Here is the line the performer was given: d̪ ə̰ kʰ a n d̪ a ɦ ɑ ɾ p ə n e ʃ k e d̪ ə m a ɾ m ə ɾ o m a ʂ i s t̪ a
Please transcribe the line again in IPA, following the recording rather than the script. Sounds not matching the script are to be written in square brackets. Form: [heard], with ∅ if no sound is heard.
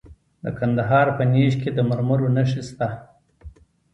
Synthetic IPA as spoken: d̪ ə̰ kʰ a n d̪ a ɦ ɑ ɾ p ə n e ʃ k e d̪ ə m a ɾ m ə ɾ o [n] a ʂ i s t̪ a